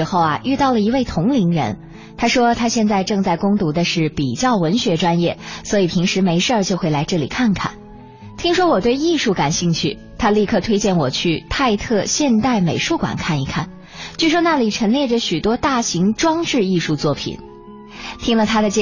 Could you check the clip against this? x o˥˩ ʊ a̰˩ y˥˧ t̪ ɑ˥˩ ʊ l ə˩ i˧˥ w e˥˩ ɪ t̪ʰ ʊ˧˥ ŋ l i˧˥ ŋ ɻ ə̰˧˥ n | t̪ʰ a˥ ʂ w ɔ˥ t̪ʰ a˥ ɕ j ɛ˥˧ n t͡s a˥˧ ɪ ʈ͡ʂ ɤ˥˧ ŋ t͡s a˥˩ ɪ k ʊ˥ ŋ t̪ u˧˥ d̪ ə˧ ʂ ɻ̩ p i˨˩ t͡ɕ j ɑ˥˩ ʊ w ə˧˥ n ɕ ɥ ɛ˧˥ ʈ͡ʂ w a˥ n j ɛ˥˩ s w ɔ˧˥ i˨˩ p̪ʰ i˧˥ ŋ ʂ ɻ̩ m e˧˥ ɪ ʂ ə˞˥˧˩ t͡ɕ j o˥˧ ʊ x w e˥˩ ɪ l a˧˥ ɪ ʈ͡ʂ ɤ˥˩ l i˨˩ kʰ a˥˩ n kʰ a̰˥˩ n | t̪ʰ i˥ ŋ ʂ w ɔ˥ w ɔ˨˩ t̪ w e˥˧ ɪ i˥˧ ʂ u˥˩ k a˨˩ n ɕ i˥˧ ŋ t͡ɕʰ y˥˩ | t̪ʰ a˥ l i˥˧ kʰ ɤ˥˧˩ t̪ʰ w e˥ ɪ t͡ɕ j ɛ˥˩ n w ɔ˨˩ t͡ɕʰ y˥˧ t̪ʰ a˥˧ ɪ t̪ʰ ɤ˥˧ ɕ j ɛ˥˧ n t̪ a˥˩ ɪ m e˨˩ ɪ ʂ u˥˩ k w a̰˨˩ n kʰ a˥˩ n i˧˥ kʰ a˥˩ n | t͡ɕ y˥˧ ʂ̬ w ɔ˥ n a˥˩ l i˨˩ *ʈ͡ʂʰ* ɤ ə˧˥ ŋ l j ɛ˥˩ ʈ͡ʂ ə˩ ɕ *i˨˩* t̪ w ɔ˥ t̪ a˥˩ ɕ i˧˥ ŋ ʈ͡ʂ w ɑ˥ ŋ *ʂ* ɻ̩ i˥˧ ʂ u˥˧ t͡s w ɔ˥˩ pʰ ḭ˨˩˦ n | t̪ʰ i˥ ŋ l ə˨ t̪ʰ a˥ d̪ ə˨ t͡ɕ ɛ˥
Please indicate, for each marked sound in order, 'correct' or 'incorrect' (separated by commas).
correct, incorrect, incorrect